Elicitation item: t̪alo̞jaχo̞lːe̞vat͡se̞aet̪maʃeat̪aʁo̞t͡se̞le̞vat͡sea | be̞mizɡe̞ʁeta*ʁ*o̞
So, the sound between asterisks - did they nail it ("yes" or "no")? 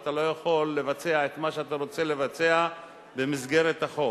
no